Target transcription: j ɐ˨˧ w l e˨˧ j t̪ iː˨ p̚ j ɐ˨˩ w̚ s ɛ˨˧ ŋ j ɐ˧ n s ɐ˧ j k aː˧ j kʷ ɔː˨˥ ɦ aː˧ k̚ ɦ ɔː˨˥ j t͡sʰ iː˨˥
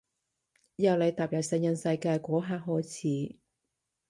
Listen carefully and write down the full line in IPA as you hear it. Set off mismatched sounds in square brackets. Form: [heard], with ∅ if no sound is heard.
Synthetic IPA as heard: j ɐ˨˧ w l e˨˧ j t̪ [aː˨] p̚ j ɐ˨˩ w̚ s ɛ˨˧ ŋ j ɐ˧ n s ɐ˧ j k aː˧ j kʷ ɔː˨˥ ɦ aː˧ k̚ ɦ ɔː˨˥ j t͡sʰ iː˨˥